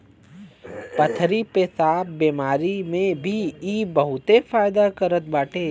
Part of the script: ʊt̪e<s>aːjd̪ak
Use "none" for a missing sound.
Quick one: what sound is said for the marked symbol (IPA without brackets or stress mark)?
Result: f